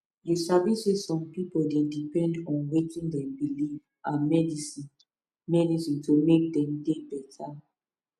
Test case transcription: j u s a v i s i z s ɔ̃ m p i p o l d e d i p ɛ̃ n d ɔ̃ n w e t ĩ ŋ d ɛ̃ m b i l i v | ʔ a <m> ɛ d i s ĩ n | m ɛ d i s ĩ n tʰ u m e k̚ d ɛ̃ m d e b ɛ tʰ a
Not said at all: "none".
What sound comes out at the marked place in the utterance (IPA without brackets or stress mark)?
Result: m